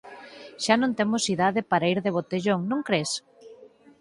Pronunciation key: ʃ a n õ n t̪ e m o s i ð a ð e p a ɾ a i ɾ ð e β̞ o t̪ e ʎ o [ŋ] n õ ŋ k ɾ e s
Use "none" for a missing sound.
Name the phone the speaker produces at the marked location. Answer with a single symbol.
ŋ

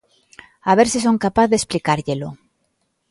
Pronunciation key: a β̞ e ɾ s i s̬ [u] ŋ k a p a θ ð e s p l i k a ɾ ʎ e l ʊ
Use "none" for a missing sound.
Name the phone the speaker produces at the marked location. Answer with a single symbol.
o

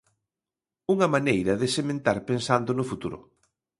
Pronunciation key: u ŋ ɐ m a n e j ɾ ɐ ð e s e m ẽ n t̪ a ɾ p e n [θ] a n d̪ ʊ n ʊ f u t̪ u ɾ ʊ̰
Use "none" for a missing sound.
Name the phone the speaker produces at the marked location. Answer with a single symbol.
s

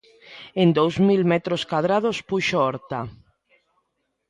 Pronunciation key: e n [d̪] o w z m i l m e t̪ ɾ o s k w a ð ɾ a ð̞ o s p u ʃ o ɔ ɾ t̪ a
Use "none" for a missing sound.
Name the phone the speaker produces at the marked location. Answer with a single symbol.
d̪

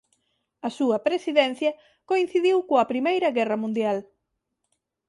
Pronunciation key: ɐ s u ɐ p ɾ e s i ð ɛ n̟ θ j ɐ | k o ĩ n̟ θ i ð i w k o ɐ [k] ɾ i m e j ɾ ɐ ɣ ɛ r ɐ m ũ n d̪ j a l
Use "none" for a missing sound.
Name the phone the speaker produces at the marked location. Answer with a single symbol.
p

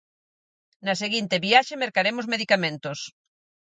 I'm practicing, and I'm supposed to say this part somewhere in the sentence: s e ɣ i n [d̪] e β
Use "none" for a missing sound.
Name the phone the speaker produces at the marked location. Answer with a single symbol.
t̪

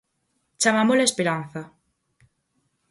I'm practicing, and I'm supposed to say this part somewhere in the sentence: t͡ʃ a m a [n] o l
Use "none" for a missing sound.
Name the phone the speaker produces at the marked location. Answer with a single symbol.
m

